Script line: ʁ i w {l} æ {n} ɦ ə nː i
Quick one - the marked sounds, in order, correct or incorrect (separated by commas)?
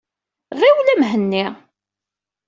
correct, incorrect